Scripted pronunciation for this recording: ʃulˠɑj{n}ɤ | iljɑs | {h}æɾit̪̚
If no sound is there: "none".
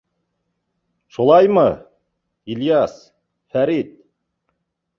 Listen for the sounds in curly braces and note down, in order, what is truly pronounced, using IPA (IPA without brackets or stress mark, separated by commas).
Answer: m, f